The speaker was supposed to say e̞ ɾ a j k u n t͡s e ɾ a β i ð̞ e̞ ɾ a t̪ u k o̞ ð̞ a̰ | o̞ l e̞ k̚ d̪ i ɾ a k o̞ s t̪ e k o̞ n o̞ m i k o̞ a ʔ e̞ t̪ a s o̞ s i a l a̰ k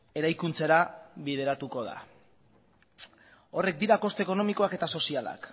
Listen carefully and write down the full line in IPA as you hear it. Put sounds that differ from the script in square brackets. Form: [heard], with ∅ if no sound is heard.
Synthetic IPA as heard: e̞ ɾ a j k u n t͡s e ɾ a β i ð̞ e̞ ɾ a t̪ u k o̞ ð̞ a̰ | o̞ [r] e̞ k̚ d̪ i ɾ a k o̞ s t̪ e k o̞ n o̞ m i k o̞ a [k] e̞ t̪ a s o̞ s i a l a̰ k